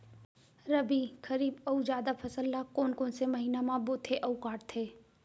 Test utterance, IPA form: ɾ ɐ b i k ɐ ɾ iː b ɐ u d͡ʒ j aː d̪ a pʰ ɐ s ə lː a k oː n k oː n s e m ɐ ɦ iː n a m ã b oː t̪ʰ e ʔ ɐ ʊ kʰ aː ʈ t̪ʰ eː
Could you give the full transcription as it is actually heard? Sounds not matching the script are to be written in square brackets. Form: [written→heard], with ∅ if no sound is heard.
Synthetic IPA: ɾ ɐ b i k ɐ ɾ iː b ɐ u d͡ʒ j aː d̪ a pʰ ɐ s ə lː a k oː n k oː n s e m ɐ ɦ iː n a m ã b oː t̪ʰ e ʔ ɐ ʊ [kʰ→k] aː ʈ t̪ʰ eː